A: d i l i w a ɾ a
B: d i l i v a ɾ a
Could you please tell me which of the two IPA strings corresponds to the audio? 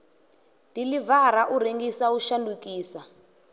B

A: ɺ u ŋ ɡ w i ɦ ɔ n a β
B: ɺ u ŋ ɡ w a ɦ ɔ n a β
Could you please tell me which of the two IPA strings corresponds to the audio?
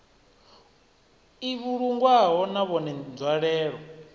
B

